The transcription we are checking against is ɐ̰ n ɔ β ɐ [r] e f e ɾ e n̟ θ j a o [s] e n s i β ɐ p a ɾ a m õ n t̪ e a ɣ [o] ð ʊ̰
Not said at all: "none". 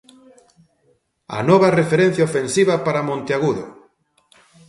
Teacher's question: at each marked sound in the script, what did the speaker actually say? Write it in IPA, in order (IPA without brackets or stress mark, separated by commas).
r, f, u